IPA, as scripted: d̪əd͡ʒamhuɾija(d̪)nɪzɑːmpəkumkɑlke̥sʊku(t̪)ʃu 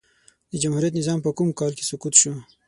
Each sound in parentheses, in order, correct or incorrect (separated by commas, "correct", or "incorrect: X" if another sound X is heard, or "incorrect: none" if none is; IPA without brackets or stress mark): incorrect: t̪, correct